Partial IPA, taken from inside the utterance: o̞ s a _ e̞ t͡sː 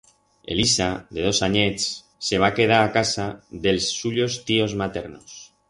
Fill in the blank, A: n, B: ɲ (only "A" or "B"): B